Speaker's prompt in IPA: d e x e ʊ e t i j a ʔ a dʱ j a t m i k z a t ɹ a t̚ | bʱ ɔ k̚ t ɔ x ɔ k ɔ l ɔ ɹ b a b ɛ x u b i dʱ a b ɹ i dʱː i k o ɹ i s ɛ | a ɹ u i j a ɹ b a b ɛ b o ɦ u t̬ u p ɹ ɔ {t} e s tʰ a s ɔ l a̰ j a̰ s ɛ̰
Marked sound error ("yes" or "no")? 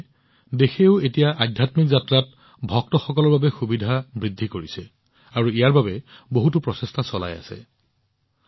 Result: yes